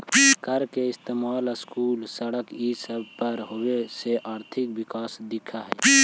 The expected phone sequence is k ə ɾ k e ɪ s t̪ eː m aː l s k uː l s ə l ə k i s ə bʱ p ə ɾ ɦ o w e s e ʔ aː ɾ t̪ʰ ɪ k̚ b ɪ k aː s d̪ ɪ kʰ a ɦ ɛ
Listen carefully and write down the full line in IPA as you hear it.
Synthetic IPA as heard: k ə ɾ k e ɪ s t̪ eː m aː l s k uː l s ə ɽ ə k i s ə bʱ p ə ɾ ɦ o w e s e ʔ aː ɾ t̪ʰ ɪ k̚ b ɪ k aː s d̪ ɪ kʰ a ɦ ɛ